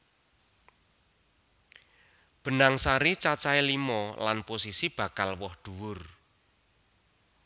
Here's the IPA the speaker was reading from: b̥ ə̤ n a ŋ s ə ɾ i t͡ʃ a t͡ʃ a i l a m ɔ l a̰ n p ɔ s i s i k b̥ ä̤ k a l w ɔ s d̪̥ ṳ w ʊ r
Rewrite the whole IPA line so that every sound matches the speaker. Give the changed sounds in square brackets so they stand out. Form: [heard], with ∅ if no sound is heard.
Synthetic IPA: b̥ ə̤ n a ŋ s [a] ɾ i t͡ʃ a t͡ʃ a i l [i] m ɔ l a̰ n p [o] s i s i [∅] b̥ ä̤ k a l w ɔ [h] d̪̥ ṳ w ʊ r